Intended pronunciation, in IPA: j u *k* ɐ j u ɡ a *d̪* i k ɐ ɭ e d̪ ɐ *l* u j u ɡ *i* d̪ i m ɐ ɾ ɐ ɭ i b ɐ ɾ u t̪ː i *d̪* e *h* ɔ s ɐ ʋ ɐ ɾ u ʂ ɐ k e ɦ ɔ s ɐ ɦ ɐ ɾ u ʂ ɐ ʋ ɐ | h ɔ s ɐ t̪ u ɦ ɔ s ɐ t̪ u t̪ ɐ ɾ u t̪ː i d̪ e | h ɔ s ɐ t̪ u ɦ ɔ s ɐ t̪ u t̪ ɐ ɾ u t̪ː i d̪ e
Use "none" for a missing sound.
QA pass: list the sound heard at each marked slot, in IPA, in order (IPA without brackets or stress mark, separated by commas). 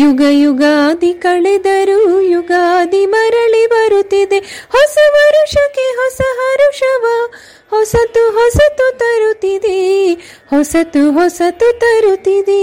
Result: ɡ, d̪, ɾ, a, d̪, h